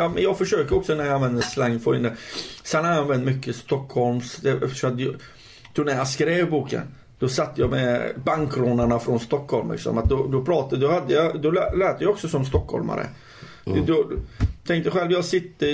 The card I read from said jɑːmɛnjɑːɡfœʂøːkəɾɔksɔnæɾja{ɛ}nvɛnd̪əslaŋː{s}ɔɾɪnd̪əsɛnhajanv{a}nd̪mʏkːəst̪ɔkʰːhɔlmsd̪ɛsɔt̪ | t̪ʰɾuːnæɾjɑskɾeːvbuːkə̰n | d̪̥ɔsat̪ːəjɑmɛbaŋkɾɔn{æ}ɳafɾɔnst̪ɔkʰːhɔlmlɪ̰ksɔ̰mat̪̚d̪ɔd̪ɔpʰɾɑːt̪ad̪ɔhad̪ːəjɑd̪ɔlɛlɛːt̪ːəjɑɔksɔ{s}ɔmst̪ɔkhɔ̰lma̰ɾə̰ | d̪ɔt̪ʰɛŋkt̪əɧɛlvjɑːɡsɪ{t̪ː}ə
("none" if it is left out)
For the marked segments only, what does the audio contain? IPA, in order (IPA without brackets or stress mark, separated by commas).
a, f, ɛ, a, s, t̪ː